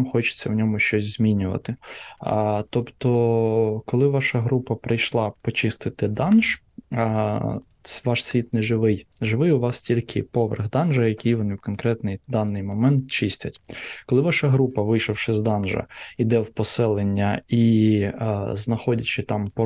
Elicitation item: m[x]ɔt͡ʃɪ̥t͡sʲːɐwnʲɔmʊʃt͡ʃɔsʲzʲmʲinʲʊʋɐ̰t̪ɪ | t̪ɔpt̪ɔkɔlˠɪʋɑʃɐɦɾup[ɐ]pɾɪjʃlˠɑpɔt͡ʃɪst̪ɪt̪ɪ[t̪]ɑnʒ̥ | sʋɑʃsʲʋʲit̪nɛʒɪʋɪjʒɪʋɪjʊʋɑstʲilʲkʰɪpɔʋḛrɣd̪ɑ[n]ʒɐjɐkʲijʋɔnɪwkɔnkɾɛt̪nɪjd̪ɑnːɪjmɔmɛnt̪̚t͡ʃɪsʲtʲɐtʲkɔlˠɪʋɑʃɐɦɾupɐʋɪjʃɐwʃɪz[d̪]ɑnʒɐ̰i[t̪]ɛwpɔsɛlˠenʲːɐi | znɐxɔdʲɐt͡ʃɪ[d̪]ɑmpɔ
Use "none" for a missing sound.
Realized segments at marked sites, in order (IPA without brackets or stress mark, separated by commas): x, ɐ, d̪, n, d̪, d̪, t̪